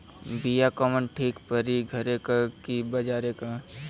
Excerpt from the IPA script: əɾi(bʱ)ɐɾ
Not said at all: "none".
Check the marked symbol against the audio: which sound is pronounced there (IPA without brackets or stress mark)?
ɡʱ